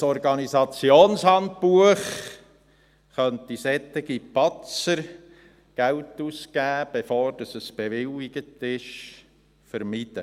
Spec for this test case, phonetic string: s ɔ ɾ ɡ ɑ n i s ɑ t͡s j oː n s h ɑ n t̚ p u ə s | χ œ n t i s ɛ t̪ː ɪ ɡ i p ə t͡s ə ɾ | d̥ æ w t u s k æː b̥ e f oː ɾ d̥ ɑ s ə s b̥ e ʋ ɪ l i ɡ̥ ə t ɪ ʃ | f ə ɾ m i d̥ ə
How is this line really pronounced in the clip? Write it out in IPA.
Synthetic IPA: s ɔ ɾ ɡ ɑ n i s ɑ t͡s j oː n s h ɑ n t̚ p u ə χ | χ œ n t i s ɛ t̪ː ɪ ɡ i p ɑ t͡s ə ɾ | ɡ̥ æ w t u s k æː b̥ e f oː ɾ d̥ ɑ s ə s b̥ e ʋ ɪ l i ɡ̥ ə t ɪ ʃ | f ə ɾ m i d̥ ə